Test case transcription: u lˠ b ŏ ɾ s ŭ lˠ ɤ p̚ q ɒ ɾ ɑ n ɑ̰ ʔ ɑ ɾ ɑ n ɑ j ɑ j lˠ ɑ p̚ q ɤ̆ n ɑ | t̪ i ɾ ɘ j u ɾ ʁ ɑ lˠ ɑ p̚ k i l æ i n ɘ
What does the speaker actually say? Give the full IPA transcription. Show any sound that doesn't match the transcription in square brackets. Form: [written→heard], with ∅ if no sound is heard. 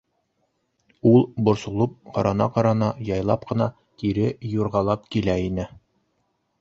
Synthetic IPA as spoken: u lˠ b ŏ ɾ s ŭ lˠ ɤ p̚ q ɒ ɾ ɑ n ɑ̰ [ʔ→q] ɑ ɾ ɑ n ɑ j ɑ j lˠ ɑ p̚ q ɤ̆ n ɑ | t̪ i ɾ ɘ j u ɾ ʁ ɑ lˠ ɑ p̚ k i l æ i n ɘ

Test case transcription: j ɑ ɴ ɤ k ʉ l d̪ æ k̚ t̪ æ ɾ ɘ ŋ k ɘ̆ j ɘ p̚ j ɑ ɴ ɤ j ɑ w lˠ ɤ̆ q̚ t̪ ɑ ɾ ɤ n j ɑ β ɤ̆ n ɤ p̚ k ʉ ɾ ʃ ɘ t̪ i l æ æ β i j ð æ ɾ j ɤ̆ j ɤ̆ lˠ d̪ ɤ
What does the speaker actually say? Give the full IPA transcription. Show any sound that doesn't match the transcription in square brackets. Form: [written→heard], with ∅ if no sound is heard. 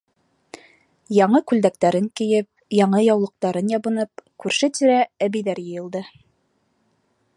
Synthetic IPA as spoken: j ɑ ɴ ɤ k ʉ l d̪ æ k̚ t̪ æ ɾ ɘ ŋ k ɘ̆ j ɘ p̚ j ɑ ɴ ɤ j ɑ w lˠ ɤ̆ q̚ t̪ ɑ ɾ ɤ n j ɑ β ɤ̆ n ɤ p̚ k ʉ ɾ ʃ ɘ t̪ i [l→ɾ] æ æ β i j ð æ ɾ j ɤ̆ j ɤ̆ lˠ d̪ ɤ

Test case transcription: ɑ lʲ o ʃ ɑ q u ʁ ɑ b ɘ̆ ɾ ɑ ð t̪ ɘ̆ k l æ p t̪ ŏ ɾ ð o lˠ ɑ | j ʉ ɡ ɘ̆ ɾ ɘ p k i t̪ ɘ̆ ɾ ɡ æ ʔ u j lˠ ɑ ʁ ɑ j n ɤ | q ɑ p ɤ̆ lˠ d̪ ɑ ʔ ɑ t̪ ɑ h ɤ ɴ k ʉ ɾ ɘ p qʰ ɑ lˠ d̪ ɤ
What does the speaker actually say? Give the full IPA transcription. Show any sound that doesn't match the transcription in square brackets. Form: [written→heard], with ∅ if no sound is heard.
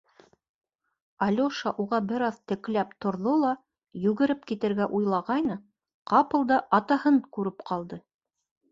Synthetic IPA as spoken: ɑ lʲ o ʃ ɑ [q→ʔ] u ʁ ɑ b ɘ̆ ɾ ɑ ð t̪ ɘ̆ k l æ p t̪ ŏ ɾ ð o lˠ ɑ | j ʉ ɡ ɘ̆ ɾ ɘ p k i t̪ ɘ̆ ɾ ɡ æ ʔ u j lˠ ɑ ʁ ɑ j n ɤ | q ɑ p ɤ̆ lˠ d̪ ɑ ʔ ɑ t̪ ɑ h ɤ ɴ k ʉ ɾ ɘ p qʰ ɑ lˠ d̪ ɤ

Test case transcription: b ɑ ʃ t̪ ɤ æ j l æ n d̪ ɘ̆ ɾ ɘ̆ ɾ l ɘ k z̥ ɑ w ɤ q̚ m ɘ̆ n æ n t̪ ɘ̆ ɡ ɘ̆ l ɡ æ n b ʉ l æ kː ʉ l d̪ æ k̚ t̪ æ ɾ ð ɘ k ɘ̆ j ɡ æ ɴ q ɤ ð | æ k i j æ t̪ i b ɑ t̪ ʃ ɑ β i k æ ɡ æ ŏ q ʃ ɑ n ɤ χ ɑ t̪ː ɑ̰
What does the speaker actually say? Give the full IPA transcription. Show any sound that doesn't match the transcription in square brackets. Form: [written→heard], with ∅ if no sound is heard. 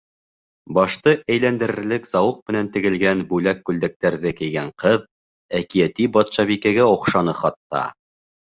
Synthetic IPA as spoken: b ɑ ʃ t̪ ɤ æ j l æ n d̪ ɘ̆ ɾ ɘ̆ ɾ l ɘ k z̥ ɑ w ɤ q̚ m ɘ̆ n æ n t̪ ɘ̆ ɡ ɘ̆ l ɡ æ n b ʉ l æ kː ʉ l d̪ æ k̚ t̪ æ ɾ ð ɘ k ɘ̆ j ɡ æ ɴ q ɤ ð | æ k i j æ t̪ i b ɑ t̪ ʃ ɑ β i k æ ɡ æ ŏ q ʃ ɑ n ɤ χ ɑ t̪ː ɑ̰

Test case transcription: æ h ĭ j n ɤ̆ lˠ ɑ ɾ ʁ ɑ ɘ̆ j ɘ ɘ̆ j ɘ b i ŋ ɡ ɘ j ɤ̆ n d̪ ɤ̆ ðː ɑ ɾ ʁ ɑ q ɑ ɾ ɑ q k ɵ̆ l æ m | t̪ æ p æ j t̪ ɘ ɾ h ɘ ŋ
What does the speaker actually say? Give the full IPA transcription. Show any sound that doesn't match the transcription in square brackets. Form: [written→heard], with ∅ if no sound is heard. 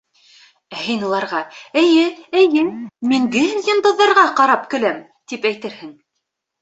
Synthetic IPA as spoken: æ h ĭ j n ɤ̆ lˠ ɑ ɾ ʁ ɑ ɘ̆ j ɘ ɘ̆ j ɘ [b→m] i ŋ ɡ ɘ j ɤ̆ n d̪ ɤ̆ ðː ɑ ɾ ʁ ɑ q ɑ ɾ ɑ [q→p] k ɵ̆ l æ m | t̪ [æ→i] p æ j t̪ ɘ ɾ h ɘ ŋ

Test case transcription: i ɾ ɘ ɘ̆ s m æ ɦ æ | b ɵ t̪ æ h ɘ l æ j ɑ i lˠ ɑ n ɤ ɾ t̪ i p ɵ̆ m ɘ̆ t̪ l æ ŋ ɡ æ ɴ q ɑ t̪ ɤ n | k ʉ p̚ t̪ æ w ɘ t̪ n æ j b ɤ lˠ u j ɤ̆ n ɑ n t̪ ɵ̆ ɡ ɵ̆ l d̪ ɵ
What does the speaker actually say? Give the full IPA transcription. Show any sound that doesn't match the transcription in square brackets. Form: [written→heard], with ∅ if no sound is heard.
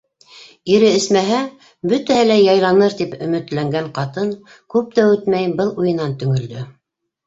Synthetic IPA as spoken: i ɾ ɘ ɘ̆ s m æ ɦ æ | b ɵ t̪ æ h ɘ l æ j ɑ [i→j] lˠ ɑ n ɤ ɾ t̪ i p ɵ̆ m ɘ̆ t̪ l æ ŋ ɡ æ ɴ q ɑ t̪ ɤ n | k ʉ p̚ t̪ æ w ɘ t̪ [n→m] æ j b ɤ lˠ u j ɤ̆ n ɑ n t̪ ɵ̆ [ɡ→ŋ] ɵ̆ l d̪ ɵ

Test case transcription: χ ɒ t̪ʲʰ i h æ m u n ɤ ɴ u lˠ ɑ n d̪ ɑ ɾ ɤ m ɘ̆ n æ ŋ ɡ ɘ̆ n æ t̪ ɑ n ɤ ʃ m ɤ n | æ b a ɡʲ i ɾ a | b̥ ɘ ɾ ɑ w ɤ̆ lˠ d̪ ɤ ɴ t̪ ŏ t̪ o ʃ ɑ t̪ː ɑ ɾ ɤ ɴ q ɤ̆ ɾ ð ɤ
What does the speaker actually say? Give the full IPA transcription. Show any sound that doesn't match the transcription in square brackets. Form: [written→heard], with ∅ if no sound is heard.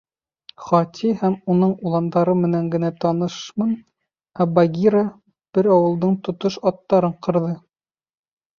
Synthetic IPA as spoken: χ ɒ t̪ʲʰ i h æ m u n ɤ ɴ u lˠ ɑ n d̪ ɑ ɾ ɤ m ɘ̆ n æ ŋ ɡ ɘ̆ n æ t̪ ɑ n ɤ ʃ m ɤ n | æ b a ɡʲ i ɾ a | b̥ ɘ ɾ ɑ w ɤ̆ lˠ d̪ ɤ ɴ t̪ ŏ t̪ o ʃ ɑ t̪ː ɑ ɾ ɤ ɴ q ɤ̆ ɾ ð ɤ

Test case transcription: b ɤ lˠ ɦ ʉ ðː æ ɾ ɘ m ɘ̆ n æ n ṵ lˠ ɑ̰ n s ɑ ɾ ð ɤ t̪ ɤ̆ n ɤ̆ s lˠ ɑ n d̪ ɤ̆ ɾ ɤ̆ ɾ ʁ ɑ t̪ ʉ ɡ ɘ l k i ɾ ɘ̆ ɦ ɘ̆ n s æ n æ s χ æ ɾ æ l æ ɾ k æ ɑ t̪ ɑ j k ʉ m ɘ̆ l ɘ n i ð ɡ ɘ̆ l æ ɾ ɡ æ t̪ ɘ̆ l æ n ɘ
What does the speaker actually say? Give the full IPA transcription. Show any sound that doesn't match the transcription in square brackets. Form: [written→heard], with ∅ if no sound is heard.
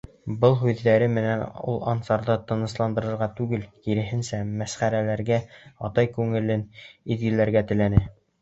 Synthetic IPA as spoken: b ɤ lˠ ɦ ʉ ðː æ ɾ ɘ m ɘ̆ n æ n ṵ lˠ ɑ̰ n s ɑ ɾ ð ɤ t̪ ɤ̆ n ɤ̆ s lˠ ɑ n d̪ ɤ̆ ɾ ɤ̆ ɾ ʁ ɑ t̪ ʉ ɡ ɘ l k i ɾ ɘ̆ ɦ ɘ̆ n s æ [n→m] æ s χ æ ɾ æ l æ ɾ [k→ɡ] æ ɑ t̪ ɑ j k ʉ [m→ŋ] ɘ̆ l ɘ n i ð ɡ ɘ̆ l æ ɾ ɡ æ t̪ ɘ̆ l æ n ɘ

